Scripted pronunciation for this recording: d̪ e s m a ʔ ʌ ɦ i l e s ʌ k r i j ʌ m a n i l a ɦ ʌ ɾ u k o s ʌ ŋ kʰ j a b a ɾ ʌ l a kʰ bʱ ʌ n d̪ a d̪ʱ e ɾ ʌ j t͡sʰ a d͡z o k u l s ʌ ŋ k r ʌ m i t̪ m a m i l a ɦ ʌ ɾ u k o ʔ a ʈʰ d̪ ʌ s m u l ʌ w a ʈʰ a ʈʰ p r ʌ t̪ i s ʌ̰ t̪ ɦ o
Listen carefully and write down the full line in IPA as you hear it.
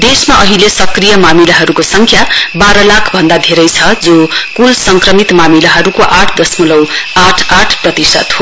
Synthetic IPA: d̪ e s m a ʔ ʌ ɦ i l e s ʌ k r i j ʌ m a m i l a ɦ ʌ ɾ u k o s ʌ ŋ kʰ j a b a ɾ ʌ l a kʰ bʱ ʌ n d̪ a d̪ʱ e ɾ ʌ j t͡sʰ ʌ d͡z o k u l s ʌ ŋ k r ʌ m i t̪ m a m i l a ɦ ʌ ɾ u k o ʔ a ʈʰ d̪ ʌ s m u l ʌ w a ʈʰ a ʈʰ p r ʌ t̪ i s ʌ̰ t̪ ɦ o